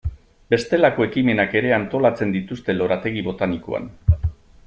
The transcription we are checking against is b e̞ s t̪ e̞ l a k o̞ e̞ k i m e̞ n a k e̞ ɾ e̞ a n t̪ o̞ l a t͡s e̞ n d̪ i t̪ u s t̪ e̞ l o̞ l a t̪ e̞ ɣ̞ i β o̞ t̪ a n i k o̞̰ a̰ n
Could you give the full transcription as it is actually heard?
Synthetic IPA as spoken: b e̞ s t̪ e̞ l a k o̞ e̞ k i m e̞ n a k e̞ ɾ e̞ a n t̪ o̞ l a t͡s e̞ n d̪ i t̪ u s t̪ e̞ l o̞ ɾ a t̪ e̞ ɣ̞ i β o̞ t̪ a n i k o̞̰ a̰ n